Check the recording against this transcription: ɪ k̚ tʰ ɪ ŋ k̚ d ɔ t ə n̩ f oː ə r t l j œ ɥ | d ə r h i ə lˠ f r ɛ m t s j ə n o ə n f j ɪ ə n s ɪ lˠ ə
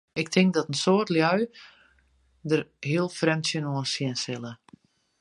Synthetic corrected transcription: ɪ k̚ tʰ ɪ ŋ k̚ d ɔ t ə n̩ s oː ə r t l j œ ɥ | d ə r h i ə lˠ f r ɛ m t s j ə n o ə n s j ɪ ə n s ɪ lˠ ə